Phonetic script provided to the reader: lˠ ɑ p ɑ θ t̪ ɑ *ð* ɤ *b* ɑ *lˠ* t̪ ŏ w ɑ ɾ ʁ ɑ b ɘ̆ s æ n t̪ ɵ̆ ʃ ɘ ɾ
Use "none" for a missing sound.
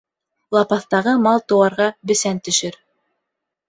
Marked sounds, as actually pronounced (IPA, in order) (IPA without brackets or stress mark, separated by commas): ʁ, m, lˠ